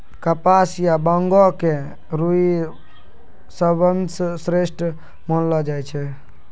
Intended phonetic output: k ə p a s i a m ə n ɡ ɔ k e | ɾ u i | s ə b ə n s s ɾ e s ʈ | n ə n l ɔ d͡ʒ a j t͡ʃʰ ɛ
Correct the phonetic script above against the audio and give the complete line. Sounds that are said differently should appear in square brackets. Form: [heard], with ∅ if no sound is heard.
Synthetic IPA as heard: k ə p a s [j] a [b] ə [ŋ] ɡ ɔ k e | ɾ u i | s ə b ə n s s ɾ e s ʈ | [m] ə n l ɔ d͡ʒ a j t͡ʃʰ ɛ